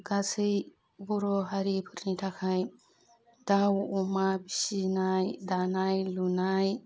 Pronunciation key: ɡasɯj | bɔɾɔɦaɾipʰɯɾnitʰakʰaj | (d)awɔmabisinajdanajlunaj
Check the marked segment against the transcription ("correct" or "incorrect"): correct